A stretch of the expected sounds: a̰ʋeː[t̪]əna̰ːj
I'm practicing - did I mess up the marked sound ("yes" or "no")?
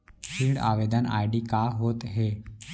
yes